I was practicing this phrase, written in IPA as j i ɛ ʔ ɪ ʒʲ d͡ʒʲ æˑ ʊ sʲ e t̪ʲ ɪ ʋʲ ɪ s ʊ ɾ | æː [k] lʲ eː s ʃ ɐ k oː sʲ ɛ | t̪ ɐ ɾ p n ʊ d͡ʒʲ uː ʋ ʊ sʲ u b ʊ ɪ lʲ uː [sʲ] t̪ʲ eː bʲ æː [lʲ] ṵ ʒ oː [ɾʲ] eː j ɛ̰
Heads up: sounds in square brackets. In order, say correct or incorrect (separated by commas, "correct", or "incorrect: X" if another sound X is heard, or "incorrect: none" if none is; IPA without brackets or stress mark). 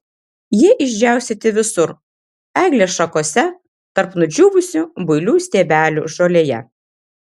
incorrect: ɡ, correct, correct, incorrect: lʲ